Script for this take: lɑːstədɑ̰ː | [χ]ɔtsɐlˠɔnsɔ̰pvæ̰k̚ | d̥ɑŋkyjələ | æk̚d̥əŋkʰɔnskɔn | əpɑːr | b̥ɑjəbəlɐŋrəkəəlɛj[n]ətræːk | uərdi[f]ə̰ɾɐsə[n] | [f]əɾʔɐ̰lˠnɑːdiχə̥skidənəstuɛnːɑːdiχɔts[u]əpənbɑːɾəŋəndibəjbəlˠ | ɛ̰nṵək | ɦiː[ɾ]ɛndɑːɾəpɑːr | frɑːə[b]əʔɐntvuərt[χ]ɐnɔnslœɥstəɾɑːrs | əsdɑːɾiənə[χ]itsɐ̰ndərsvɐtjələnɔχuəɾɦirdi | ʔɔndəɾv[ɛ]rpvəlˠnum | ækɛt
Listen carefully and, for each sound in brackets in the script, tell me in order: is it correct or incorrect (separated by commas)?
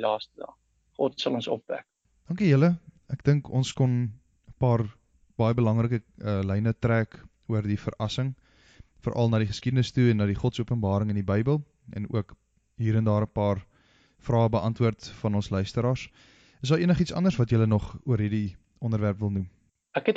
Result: correct, correct, correct, incorrect, correct, correct, correct, correct, incorrect, correct, incorrect